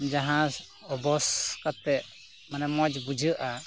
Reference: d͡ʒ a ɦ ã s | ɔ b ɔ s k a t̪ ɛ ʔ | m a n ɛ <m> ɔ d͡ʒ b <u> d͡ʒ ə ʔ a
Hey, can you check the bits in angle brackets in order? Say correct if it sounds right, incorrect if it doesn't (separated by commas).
correct, correct